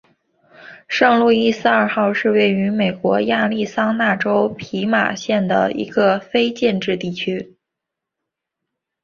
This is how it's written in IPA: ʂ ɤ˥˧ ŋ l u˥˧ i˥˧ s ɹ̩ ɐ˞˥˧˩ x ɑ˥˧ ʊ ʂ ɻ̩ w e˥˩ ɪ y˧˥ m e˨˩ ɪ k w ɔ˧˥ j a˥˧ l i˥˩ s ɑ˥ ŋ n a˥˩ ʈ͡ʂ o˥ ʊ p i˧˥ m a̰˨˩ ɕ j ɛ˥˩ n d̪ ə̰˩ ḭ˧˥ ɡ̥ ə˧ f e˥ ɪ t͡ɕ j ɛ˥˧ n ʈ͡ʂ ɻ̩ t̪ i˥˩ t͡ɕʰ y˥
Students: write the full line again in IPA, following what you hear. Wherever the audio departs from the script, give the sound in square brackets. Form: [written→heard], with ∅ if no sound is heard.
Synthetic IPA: ʂ ɤ˥˧ ŋ l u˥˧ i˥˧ s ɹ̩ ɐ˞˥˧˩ x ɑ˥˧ ʊ ʂ ɻ̩ w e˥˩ ɪ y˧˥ m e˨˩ ɪ k w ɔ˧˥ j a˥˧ l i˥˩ s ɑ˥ ŋ n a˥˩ ʈ͡ʂ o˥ ʊ [p→pʰ] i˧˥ m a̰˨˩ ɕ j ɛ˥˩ n d̪ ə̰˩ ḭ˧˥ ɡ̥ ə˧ f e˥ ɪ t͡ɕ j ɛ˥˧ n ʈ͡ʂ ɻ̩ t̪ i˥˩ t͡ɕʰ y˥